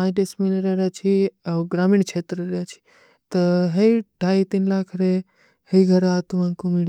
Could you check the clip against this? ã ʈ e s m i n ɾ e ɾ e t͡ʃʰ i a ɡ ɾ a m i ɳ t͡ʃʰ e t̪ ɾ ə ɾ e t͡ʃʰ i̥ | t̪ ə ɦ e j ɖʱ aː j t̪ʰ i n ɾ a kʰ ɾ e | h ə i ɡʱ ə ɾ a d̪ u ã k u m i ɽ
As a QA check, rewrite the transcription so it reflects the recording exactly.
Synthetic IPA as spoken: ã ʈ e s m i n ɾ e ɾ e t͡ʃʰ i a ɡ ɾ a m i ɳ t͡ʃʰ e t̪ ɾ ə ɾ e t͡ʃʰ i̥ | t̪ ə ɦ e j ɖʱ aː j t̪ i n l a kʰ ɾ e | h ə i ɡʱ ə ɾ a t̪ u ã k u m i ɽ